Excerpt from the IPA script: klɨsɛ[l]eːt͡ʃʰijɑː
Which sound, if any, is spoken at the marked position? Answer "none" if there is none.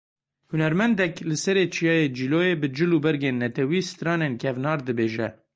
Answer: ɾ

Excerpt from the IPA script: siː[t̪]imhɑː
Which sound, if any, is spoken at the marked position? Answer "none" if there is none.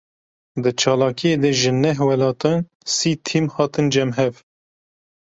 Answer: t̪ʰ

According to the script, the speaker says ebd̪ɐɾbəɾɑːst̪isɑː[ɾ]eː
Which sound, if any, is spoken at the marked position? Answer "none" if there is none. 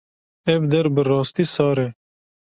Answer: ɾ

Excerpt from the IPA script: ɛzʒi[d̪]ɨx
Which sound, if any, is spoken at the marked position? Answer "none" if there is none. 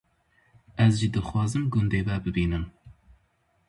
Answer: d̪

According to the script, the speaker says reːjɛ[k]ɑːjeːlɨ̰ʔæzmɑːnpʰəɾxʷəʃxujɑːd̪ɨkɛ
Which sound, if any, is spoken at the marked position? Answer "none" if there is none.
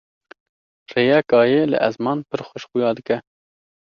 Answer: k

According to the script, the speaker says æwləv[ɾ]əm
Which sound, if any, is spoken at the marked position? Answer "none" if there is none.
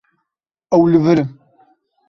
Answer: ɾ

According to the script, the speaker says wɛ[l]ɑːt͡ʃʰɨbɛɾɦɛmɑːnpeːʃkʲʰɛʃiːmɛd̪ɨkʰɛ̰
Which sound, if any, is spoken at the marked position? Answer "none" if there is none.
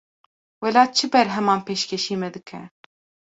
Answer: l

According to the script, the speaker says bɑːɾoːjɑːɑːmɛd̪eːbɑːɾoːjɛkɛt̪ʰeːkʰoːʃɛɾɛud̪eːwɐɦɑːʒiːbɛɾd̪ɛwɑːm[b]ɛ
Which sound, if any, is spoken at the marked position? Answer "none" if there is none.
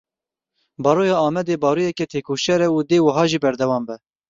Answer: b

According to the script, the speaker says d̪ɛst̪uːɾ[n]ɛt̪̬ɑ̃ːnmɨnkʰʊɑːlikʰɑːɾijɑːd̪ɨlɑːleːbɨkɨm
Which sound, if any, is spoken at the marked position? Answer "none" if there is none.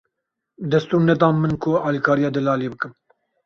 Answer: n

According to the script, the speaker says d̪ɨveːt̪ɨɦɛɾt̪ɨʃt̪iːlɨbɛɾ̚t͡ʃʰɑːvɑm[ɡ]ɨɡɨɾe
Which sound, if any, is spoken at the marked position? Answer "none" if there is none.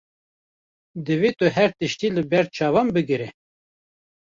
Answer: b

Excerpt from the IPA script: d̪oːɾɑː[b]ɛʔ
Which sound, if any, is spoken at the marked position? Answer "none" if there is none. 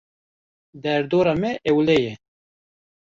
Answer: m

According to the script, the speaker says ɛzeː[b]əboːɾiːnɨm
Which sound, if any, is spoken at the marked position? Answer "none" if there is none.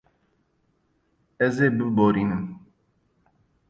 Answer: b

